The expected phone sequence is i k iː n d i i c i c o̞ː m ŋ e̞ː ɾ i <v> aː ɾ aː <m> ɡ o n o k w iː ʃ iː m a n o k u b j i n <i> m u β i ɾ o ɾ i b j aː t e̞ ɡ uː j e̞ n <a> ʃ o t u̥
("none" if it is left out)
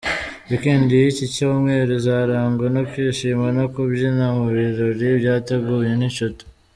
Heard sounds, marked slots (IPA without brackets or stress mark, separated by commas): z, ŋ, a, i